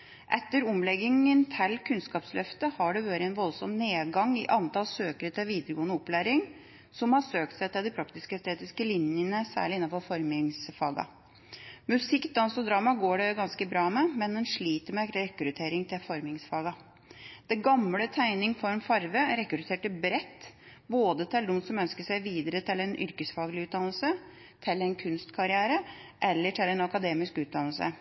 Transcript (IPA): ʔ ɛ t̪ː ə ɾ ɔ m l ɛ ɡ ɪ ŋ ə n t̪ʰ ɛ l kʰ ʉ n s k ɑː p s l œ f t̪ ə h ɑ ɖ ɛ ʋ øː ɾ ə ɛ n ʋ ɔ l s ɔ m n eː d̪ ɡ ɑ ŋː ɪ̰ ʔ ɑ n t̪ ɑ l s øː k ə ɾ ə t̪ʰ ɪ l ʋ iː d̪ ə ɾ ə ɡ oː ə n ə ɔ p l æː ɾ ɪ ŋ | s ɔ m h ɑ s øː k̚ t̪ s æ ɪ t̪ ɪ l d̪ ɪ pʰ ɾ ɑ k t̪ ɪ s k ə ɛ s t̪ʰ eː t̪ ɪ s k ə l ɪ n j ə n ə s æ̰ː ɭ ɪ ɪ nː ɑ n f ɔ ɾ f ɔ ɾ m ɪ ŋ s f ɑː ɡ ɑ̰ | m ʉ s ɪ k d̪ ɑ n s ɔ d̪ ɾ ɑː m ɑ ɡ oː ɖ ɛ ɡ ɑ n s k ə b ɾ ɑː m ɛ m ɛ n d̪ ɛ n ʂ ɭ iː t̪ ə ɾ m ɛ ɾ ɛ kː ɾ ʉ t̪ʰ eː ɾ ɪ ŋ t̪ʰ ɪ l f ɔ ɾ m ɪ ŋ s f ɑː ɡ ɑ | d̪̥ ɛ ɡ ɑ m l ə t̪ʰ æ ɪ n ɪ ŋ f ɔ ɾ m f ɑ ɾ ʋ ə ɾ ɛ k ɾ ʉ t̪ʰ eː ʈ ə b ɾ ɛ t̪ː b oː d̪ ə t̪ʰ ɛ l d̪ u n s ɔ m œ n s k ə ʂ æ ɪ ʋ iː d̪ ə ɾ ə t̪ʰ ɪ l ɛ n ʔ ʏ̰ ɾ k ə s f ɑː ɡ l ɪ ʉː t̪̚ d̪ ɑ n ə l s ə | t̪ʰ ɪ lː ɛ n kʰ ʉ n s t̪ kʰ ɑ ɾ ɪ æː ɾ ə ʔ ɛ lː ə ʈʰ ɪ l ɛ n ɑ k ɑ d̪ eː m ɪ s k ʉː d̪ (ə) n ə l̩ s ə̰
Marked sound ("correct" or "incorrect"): incorrect